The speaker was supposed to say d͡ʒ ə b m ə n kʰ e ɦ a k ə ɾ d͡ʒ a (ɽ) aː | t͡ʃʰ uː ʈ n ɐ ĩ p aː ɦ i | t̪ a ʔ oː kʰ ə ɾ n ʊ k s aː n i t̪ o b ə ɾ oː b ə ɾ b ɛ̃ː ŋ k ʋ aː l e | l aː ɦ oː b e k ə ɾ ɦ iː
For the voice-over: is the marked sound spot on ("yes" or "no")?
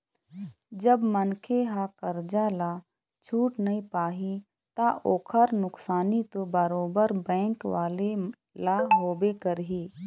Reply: no